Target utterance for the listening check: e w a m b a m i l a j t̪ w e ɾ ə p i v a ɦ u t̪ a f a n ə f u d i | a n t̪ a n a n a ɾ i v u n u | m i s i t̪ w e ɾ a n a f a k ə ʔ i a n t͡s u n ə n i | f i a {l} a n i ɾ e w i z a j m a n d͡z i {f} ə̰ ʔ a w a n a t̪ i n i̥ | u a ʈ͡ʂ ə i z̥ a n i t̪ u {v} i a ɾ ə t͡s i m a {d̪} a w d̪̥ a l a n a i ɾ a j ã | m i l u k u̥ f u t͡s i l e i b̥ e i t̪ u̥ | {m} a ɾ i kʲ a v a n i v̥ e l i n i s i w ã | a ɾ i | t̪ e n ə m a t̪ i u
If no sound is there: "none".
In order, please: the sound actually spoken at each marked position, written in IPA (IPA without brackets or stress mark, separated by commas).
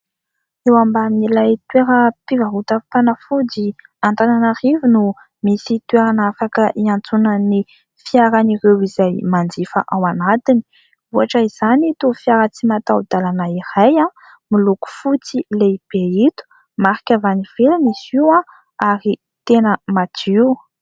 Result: ɾ, f, f, t̪, m